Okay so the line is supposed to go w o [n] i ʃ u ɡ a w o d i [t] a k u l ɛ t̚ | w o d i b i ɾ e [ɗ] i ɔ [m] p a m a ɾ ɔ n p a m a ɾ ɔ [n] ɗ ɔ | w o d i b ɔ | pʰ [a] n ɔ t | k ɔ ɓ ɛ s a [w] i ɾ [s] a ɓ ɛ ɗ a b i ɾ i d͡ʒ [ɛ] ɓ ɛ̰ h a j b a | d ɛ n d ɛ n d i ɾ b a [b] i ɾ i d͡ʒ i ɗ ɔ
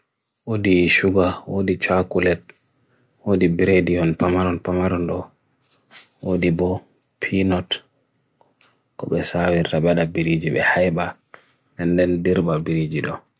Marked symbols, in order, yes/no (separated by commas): no, no, no, no, yes, no, yes, no, no, yes